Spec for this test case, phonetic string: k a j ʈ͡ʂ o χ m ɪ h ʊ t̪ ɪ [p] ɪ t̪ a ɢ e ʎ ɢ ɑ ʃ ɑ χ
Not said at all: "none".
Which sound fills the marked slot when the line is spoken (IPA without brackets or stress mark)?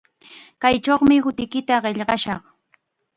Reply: k